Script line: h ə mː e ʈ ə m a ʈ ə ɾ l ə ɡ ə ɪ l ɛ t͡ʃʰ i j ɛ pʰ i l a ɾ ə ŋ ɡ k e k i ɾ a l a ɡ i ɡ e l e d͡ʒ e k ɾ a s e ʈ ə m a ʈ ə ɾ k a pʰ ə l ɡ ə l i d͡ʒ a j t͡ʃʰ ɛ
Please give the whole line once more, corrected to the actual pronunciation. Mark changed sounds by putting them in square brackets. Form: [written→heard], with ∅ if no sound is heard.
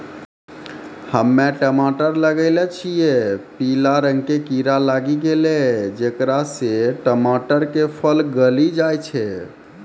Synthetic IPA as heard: h ə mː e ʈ ə m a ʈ ə ɾ l ə ɡ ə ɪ l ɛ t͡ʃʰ i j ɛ [pʰ→p] i l a ɾ ə ŋ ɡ k e k i ɾ a l a ɡ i ɡ e l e d͡ʒ e k ɾ a s e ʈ ə m a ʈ ə ɾ k [a→e] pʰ ə l ɡ ə l i d͡ʒ a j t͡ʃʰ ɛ